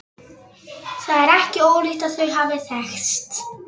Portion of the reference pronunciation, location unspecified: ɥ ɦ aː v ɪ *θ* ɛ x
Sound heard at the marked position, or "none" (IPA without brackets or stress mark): θ